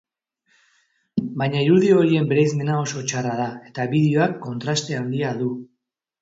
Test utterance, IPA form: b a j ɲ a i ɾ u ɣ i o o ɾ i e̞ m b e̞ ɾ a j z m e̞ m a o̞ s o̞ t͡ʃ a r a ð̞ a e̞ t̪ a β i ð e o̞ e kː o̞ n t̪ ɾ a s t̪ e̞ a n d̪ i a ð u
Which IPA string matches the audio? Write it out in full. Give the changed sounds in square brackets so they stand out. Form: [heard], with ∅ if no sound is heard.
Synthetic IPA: b a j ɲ a i ɾ u [ð] i o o ɾ i e̞ m b e̞ ɾ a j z m e̞ [n] a o̞ s o̞ t͡ʃ a r a ð̞ a e̞ t̪ a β i ð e o̞ [a] kː o̞ n t̪ ɾ a s t̪ e̞ a n d̪ i a ð u